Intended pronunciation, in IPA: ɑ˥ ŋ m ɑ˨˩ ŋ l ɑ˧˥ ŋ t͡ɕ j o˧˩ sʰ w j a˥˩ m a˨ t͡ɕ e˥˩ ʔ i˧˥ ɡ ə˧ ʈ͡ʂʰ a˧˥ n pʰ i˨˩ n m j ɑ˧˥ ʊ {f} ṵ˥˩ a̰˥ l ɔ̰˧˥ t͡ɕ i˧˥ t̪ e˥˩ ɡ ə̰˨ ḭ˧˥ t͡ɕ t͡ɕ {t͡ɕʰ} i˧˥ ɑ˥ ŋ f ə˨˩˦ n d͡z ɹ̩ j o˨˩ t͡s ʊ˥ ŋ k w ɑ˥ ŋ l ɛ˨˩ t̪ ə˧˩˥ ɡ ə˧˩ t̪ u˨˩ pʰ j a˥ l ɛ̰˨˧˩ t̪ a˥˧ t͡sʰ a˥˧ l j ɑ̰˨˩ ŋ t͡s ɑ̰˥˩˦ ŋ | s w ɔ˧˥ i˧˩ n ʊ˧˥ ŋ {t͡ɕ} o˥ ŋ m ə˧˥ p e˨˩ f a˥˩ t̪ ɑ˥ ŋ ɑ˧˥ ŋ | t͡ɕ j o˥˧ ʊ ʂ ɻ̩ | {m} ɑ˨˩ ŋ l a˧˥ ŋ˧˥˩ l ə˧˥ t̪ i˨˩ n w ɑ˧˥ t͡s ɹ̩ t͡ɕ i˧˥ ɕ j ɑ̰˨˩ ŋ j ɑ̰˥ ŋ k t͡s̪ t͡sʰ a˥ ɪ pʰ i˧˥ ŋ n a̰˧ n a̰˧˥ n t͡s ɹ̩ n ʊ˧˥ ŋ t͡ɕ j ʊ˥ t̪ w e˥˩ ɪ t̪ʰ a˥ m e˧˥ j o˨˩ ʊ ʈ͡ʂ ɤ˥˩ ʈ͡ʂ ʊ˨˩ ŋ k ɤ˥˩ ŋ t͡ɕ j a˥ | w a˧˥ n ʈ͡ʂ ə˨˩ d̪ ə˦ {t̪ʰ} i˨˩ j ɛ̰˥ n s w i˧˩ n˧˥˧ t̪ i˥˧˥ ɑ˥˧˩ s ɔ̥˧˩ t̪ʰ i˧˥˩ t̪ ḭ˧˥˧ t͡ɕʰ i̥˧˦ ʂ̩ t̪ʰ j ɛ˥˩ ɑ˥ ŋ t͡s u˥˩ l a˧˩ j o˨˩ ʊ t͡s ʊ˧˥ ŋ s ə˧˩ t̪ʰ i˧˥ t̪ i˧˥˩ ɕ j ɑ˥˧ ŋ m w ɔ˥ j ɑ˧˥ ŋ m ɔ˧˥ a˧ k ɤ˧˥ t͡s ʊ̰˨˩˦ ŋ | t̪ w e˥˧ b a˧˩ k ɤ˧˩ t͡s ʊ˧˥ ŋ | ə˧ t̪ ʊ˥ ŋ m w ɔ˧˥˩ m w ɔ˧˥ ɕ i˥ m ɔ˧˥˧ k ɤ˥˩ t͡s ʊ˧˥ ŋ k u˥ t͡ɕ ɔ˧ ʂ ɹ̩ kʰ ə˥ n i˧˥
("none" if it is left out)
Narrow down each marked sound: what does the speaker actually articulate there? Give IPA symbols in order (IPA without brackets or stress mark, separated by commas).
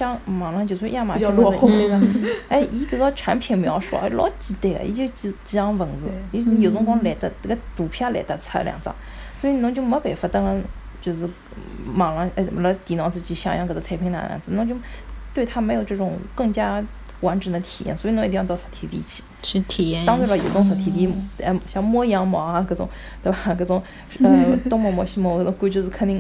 ʂ, t͡ɕ, t͡ɕ, m, t̪ʰ